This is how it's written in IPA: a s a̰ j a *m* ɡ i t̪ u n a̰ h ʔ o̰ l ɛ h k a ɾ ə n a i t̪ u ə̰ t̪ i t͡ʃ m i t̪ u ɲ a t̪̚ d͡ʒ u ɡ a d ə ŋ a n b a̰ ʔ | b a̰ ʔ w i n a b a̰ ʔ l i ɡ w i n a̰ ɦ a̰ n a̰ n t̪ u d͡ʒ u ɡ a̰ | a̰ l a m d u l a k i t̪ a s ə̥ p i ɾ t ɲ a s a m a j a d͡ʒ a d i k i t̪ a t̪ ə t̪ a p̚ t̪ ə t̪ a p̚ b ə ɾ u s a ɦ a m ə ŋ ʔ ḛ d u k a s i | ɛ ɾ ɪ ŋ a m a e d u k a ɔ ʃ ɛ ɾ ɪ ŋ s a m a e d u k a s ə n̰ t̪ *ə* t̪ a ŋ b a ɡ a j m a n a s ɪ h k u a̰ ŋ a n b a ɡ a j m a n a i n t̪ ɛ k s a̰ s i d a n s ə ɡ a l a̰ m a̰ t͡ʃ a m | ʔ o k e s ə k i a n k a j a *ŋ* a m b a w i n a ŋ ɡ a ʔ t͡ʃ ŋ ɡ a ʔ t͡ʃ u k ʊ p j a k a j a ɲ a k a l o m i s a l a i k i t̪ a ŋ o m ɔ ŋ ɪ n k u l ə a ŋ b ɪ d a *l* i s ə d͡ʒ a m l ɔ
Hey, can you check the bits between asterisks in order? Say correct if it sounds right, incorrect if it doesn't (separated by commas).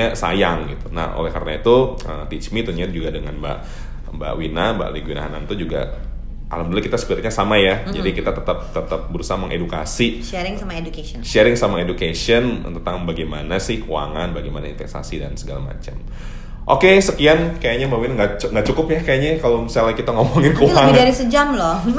incorrect, correct, incorrect, incorrect